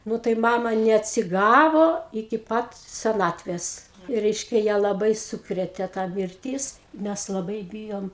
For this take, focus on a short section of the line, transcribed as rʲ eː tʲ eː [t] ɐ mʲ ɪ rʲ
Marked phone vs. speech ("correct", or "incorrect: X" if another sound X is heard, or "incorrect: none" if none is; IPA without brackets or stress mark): correct